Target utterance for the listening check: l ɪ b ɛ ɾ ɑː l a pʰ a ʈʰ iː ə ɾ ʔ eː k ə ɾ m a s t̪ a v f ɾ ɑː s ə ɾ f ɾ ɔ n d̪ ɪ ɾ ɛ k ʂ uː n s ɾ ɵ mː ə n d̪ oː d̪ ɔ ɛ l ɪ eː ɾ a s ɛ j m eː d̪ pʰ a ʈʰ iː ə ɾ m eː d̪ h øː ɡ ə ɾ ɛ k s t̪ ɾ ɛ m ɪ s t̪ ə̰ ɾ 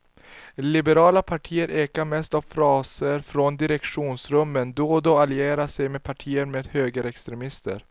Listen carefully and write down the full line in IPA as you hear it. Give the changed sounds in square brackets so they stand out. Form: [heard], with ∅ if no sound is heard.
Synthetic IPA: l ɪ b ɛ ɾ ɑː l a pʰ a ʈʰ iː ə ɾ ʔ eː k [a] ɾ m [ɛ] s t̪ a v f ɾ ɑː s ə ɾ f ɾ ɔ n d̪ ɪ ɾ ɛ k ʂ uː n s ɾ ɵ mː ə n d̪ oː d̪ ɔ [a] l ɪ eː ɾ a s ɛ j m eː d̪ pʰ a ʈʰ iː ə ɾ m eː d̪ h øː ɡ ə ɾ ɛ k s t̪ ɾ ɛ m ɪ s t̪ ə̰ ɾ